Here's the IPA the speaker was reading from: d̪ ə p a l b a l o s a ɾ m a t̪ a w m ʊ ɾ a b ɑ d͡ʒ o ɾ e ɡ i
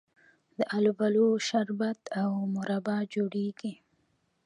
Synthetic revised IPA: d̪ ə ʔ a l b a l o ʃ a ɾ b a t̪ a w m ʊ ɾ a b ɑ d͡ʒ o ɽ e ɡ i